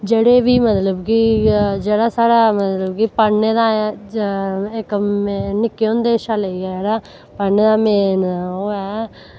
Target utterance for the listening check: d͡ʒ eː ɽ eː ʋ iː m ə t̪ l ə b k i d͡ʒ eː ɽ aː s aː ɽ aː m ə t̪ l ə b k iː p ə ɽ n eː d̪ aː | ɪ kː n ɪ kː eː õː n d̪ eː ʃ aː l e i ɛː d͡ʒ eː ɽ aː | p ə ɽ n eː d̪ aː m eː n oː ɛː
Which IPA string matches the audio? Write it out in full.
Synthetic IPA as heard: d͡ʒ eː ɽ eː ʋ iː m ə t̪ l ə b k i d͡ʒ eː ɽ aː s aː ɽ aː m ə t̪ l ə b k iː p ə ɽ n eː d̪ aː | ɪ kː n ɪ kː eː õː n d̪ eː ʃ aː l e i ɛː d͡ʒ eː ɽ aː | p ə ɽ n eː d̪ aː m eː n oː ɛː